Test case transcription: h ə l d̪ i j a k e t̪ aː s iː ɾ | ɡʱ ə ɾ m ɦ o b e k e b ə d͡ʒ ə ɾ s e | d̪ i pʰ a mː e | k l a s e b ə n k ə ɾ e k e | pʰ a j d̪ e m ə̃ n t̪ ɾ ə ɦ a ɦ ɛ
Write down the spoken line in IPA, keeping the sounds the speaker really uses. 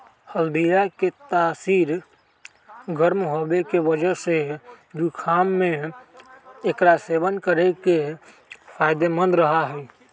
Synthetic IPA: h ə l d̪ i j a k e t̪ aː s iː ɾ | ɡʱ ə ɾ m ɦ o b e k e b ə d͡ʒ ə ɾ s e | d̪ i kʰ a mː e | k ɾ a s e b ə n k ə ɾ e k e | pʰ a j d̪ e m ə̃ n d̪ ɾ ə ɦ a ɦ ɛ